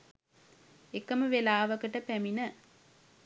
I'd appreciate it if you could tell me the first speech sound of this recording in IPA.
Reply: e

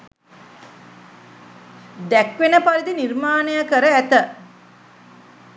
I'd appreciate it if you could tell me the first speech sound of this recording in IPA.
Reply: d̪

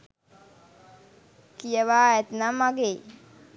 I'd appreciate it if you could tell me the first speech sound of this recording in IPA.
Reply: k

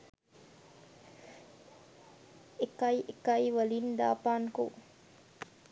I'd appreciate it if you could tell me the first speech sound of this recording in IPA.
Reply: e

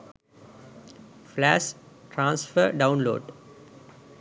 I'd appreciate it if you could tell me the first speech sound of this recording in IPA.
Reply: f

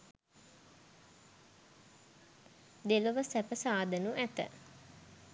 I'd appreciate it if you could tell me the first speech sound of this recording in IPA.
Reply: d̪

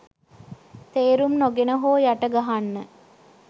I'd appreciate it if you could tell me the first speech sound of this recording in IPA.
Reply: t̪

